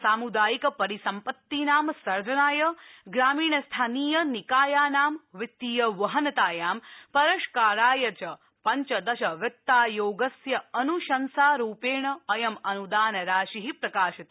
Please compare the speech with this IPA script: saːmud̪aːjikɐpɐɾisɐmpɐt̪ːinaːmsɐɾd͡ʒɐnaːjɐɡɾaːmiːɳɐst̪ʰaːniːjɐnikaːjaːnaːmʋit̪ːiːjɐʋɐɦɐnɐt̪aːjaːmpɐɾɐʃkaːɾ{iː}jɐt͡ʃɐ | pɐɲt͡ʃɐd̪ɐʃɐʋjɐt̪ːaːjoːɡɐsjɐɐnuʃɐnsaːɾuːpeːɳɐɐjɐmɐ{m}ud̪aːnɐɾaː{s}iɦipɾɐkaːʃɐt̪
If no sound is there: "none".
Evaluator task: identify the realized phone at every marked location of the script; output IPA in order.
aː, n, ʃ

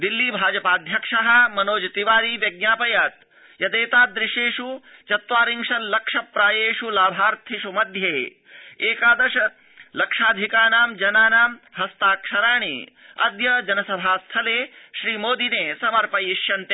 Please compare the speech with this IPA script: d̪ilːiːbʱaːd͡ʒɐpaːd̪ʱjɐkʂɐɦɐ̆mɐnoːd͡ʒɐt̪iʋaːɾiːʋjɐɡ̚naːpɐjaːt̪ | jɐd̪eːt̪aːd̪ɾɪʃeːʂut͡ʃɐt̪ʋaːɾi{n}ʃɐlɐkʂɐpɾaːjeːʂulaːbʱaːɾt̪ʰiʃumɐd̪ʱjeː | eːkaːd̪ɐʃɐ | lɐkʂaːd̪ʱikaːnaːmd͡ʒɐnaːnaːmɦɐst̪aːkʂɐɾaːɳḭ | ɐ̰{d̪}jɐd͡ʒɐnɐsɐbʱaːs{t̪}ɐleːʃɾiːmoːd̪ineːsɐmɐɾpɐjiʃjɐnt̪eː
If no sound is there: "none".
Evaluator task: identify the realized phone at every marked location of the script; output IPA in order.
ŋ, d̪, t̪ʰ

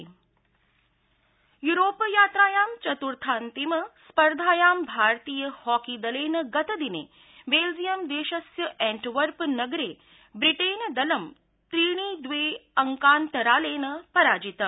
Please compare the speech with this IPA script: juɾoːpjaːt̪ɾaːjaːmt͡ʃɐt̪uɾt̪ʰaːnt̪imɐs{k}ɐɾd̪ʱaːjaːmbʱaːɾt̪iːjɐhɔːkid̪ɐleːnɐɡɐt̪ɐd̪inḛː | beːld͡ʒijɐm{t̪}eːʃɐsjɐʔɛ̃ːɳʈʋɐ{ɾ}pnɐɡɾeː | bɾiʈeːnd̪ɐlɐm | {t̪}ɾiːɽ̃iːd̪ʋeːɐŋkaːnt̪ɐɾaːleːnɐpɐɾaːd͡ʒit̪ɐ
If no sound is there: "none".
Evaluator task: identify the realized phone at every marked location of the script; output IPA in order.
p, d̪, ɾ, t̪

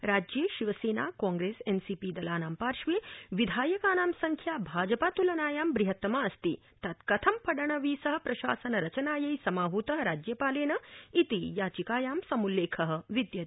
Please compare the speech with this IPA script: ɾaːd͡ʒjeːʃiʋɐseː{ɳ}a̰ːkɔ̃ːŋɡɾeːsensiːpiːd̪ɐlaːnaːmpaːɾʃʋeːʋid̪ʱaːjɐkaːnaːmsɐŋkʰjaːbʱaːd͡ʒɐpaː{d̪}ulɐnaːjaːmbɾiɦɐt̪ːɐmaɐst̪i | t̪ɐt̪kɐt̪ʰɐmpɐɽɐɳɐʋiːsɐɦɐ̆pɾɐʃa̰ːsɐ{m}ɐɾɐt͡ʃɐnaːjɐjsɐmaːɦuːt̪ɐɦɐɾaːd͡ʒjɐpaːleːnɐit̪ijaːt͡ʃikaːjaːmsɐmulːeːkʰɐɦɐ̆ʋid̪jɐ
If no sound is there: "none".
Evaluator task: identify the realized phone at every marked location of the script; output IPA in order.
n, t̪, n

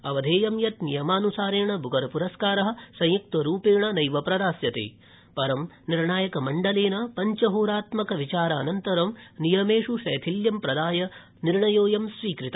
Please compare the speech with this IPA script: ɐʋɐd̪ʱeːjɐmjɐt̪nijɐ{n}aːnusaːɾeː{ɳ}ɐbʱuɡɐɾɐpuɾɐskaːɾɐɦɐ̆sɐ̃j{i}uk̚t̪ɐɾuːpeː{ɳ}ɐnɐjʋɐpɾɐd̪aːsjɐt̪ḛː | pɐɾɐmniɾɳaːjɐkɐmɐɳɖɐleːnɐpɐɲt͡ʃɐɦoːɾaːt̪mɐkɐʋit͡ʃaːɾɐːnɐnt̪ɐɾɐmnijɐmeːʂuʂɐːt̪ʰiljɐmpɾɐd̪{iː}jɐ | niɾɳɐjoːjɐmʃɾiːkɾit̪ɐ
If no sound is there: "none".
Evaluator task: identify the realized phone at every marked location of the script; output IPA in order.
m, ɳ, j, ɳ, aː

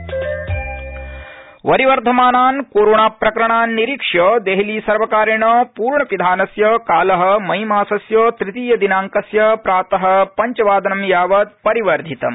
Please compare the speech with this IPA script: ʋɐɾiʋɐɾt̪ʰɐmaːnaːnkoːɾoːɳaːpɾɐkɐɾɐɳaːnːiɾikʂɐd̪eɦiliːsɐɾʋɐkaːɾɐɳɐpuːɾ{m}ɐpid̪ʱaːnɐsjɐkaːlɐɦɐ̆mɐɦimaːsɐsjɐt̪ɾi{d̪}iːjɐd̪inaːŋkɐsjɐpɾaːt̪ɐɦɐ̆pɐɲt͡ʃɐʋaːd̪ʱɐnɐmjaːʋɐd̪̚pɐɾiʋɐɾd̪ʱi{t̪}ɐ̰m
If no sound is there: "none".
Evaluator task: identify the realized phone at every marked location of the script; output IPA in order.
ɳ, t̪, t̪

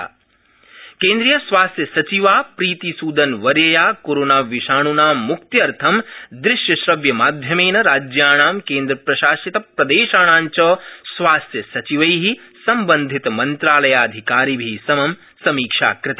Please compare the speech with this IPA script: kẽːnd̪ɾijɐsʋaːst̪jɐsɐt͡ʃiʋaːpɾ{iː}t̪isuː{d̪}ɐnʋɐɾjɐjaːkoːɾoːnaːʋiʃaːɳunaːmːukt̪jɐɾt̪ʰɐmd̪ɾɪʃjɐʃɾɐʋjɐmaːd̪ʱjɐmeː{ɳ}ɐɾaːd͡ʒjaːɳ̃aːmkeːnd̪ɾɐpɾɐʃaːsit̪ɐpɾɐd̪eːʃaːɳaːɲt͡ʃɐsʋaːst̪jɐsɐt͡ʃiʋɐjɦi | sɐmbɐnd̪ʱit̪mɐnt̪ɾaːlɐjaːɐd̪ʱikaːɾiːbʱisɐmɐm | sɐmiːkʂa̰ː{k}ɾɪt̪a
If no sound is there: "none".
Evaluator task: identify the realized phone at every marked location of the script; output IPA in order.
iː, d̪, n, k

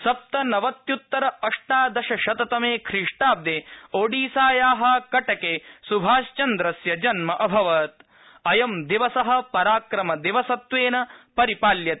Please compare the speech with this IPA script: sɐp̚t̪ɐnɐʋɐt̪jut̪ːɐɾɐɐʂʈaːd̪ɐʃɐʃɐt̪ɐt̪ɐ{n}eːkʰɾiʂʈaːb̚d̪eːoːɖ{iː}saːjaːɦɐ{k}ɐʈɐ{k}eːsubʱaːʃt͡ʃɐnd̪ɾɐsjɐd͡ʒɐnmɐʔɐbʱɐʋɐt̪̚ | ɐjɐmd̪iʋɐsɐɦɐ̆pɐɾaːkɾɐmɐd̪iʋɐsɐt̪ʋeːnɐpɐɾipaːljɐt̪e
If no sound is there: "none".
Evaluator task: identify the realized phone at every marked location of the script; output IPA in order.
m, iː, k, k

